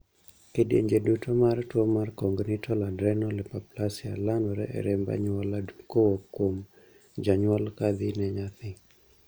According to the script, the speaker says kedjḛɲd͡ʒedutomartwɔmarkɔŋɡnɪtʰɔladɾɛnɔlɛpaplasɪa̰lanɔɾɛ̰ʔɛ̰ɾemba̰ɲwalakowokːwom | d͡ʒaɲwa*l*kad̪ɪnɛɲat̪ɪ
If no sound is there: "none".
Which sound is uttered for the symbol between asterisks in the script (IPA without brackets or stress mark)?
l